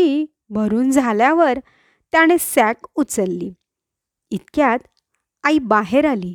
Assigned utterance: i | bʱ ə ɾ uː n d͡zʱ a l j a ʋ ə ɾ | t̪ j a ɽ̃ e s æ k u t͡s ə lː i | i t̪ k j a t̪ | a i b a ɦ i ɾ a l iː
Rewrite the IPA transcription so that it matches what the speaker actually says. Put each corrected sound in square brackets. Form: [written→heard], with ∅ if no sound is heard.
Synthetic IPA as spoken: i | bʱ ə ɾ uː n d͡zʱ a l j a ʋ ə ɾ | t̪ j a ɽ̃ e s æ k u t͡s ə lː i | i t̪ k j a t̪ | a i b a ɦ [i→e] ɾ a l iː